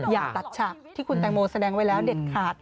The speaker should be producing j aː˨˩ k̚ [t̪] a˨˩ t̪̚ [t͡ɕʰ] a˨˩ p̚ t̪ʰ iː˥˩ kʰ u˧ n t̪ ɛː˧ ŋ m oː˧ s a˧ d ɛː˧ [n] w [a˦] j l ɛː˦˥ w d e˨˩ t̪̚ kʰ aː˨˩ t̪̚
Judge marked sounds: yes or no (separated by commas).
yes, yes, no, yes